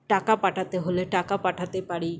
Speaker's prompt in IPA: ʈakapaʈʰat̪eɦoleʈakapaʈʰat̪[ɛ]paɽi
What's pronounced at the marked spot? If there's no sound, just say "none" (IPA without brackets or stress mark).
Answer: e